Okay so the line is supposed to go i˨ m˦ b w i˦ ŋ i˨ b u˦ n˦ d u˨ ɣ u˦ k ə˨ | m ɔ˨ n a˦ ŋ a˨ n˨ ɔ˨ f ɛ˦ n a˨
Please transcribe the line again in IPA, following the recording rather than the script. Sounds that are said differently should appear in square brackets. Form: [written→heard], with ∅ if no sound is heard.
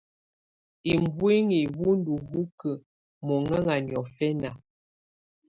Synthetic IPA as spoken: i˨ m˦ b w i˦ ŋ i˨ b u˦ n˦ d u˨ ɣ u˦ k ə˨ | m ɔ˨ [n→ŋ] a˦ ŋ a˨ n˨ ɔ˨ f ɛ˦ n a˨